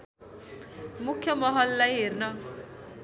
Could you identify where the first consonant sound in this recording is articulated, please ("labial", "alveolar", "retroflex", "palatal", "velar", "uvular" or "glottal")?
labial